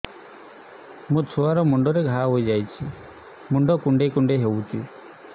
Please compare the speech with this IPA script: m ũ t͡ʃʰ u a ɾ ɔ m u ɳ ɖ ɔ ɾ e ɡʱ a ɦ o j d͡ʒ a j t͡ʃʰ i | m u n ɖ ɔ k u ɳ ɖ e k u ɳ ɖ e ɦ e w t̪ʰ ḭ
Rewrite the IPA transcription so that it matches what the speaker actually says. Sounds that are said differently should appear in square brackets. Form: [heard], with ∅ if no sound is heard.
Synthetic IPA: m ũ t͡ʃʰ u a ɾ ɔ m u ɳ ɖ ɔ ɾ e ɡʱ a ɦ o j d͡ʒ a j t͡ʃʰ i | m u [ɳ] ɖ ɔ k u ɳ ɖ e k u ɳ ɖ e ɦ e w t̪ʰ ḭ